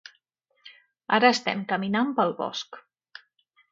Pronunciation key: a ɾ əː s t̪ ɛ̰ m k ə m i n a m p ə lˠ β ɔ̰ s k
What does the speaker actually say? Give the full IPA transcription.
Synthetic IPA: a ɾ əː s t̪ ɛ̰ m k ə m i n a m p ə lˠ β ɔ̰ s k